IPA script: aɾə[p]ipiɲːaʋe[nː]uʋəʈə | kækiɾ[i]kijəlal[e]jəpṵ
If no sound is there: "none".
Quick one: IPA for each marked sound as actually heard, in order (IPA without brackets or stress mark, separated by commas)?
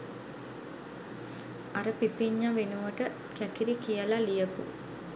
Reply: p, n, i, i